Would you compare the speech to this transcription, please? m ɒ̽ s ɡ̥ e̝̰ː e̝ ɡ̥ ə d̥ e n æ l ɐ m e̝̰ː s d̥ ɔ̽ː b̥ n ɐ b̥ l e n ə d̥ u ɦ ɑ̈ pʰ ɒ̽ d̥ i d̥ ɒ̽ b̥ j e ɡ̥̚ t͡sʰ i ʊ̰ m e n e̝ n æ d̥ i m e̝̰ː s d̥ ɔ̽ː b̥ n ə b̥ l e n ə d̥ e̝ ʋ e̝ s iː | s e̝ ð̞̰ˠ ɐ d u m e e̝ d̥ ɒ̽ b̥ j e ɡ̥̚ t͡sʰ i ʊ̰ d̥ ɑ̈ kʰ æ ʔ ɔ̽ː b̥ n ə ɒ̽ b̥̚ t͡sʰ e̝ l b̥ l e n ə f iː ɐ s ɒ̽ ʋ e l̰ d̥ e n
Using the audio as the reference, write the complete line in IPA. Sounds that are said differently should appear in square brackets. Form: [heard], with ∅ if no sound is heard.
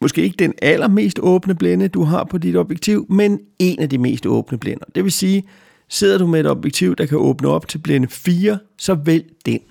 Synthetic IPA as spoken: m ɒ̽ s ɡ̥ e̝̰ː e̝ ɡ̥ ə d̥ e n æ l ɐ m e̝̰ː s d̥ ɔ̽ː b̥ n [ə] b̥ l e n ə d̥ u ɦ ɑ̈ pʰ ɒ̽ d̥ i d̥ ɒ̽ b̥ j e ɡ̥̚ t͡sʰ i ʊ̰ m e n e̝ n æ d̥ i m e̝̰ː s d̥ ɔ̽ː b̥ n ə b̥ l e n [ɐ] d̥ e̝ ʋ e̝ s iː | s e̝ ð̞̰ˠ ɐ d u m e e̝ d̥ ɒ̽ b̥ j e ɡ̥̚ t͡sʰ i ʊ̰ d̥ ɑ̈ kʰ æ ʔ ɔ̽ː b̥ n ə ɒ̽ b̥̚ t͡sʰ e̝ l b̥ l e n ə f iː ɐ s ɒ̽ ʋ e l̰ d̥ e n